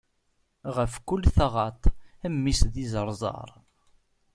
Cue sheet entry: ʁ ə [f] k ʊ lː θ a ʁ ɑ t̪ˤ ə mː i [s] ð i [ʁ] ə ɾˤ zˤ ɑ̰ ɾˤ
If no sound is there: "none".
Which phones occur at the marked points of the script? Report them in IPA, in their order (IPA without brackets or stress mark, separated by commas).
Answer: f, s, z